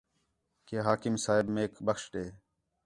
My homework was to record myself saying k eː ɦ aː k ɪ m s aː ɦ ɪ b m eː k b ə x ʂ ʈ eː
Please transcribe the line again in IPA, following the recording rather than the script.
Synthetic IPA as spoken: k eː ɦ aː k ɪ m s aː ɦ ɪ b m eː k b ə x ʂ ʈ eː